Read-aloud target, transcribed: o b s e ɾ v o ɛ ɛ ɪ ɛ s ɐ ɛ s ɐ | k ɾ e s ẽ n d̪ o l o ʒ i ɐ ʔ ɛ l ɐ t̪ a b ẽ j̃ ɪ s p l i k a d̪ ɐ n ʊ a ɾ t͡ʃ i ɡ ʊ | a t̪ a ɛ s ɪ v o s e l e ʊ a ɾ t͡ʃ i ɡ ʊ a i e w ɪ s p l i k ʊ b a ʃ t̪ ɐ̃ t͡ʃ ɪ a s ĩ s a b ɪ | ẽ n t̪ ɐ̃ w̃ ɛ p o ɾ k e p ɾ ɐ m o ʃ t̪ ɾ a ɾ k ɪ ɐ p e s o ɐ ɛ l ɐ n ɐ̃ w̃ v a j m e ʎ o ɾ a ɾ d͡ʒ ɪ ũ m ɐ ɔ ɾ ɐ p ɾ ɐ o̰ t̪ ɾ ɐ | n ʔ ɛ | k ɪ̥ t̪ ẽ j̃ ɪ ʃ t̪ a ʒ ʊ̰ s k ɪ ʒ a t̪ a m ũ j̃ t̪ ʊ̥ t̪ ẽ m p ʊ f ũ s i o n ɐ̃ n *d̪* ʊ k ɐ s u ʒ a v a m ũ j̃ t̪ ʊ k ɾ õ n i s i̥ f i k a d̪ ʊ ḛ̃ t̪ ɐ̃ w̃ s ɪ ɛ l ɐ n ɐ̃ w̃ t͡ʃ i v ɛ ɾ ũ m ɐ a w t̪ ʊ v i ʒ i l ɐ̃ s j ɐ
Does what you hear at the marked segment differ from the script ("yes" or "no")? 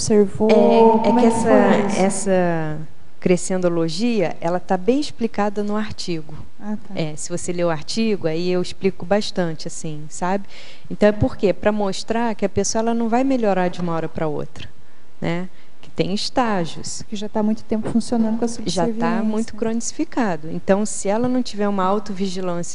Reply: no